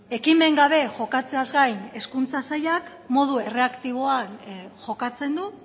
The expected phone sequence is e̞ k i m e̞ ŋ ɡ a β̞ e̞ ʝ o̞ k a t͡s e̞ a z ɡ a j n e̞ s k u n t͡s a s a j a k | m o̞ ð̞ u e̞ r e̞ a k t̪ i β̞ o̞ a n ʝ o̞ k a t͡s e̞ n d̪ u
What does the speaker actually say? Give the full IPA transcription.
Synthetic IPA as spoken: e̞ k i m e̞ ŋ ɡ a β̞ e̞ ʝ o̞ k a t͡s e̞ a z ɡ a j n e̞ s k u n t͡s a s a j a k | m o̞ ð̞ u e̞ r e̞ a k t̪ i β̞ o̞ a n ʝ o̞ k a t͡s e̞ n d̪ u